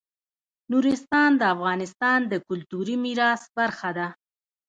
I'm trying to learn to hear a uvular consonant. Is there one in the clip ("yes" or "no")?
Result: no